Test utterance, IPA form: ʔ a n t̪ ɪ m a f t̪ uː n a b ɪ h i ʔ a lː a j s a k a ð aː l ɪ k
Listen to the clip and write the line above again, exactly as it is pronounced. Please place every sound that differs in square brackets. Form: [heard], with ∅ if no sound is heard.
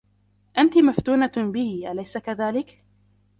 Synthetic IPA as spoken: ʔ a n t̪ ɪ m a f t̪ uː n a b ɪ h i ʔ a [l] a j s a k a ð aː l ɪ k